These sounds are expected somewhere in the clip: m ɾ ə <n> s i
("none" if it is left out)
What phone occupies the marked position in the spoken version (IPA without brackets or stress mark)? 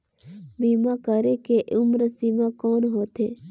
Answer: none